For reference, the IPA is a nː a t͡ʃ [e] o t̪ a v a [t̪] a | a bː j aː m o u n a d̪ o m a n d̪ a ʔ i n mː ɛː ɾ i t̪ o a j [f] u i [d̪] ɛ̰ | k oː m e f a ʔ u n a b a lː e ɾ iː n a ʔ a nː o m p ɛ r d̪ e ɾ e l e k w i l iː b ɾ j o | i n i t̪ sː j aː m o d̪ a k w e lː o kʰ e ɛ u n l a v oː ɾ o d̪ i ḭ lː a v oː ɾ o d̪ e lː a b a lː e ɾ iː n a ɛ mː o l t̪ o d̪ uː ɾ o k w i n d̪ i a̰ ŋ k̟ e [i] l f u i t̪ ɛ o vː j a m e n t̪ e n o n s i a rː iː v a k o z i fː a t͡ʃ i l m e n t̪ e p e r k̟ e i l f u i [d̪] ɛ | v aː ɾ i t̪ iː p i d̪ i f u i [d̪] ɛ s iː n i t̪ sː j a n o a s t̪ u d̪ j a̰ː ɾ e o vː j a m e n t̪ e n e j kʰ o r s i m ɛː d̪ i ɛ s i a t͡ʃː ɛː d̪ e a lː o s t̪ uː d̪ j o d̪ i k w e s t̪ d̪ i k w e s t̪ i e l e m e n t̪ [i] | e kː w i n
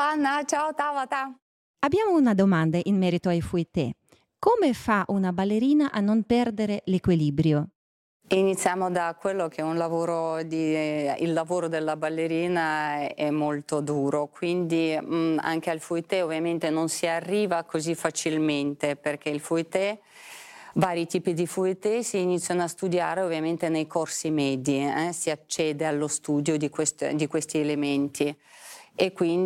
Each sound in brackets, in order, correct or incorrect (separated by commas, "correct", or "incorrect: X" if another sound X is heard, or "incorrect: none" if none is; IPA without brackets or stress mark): incorrect: a, correct, correct, incorrect: t̪, incorrect: a, incorrect: t̪, incorrect: t̪, correct